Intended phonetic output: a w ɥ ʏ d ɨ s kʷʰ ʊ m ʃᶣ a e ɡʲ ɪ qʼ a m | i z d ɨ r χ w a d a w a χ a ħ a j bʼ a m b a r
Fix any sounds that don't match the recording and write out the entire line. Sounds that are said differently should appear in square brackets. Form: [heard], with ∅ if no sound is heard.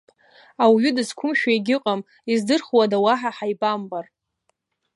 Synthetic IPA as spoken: a w ɥ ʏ d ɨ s kʷʰ ʊ m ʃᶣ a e ɡʲ ɪ qʼ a m | i z d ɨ r χ w a d a w a [ħ] a ħ a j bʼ a m b a r